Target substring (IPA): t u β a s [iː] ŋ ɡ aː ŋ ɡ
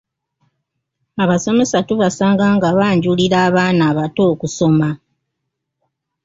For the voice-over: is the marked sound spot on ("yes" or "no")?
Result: no